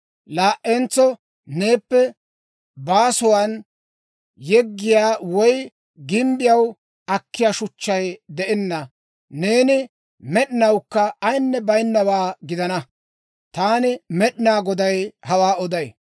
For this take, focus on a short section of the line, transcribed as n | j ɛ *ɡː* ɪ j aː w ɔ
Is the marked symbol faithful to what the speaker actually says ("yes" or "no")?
yes